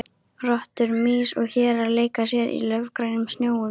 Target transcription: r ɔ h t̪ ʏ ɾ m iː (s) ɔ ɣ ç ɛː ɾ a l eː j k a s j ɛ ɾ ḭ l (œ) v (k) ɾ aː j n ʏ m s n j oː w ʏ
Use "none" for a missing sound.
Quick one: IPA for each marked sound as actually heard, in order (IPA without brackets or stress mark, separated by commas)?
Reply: s, œ, k